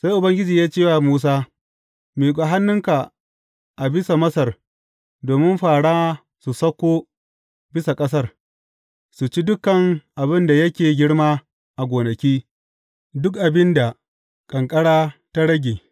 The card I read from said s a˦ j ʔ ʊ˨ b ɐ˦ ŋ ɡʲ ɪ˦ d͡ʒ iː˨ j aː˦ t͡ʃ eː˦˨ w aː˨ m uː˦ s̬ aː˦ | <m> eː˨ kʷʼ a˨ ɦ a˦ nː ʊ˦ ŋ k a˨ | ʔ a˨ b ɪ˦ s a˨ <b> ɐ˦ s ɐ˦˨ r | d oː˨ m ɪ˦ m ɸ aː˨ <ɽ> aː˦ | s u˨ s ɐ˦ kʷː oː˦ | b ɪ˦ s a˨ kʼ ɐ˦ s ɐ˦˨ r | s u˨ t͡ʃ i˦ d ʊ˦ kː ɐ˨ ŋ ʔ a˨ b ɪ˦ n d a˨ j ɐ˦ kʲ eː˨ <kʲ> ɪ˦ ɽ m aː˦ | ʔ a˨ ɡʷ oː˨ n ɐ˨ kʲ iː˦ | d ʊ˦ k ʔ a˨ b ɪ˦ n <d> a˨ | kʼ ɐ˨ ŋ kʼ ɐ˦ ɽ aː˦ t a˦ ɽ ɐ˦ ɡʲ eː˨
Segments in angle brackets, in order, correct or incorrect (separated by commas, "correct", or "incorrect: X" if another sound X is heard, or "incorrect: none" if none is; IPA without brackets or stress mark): correct, incorrect: m, correct, incorrect: ɡʲ, correct